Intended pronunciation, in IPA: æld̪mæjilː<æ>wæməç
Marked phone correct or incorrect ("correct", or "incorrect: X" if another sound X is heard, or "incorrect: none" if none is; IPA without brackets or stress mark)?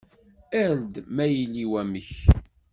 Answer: incorrect: i